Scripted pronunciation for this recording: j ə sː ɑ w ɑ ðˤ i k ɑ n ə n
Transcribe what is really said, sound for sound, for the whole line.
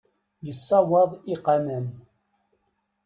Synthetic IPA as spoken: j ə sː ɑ w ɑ ðˤ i q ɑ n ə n